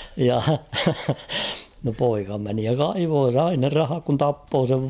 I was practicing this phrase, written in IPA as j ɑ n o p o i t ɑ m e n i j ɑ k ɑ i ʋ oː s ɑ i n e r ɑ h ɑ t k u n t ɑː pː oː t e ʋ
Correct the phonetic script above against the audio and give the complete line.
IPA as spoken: j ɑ n o p o i k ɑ m e n i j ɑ k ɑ i ʋ oː s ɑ i n e r ɑ h ɑ k k u n t ɑ pː oː s e ʋ